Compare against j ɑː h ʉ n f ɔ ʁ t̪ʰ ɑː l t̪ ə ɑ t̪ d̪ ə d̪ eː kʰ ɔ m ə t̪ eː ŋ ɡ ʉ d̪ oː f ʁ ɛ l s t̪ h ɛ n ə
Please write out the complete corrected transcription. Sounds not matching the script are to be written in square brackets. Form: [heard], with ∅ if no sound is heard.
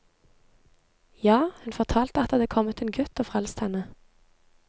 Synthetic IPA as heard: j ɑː h ʉ n f ɔ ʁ t̪ʰ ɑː l t̪ ə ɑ t̪ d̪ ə d̪ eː kʰ ɔ m ə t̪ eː [n] ɡ ʉ [t̪] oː f ʁ ɛ l s t̪ h ɛ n ə